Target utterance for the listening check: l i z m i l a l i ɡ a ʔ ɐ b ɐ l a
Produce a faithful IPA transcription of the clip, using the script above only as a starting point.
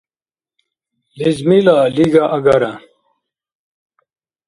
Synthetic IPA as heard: l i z m i l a l i ɡ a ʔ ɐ ɡ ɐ ɾ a